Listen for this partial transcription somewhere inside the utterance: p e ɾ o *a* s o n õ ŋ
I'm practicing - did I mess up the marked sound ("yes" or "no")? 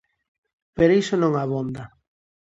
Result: yes